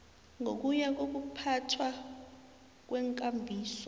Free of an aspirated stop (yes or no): no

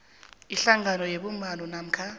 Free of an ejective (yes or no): yes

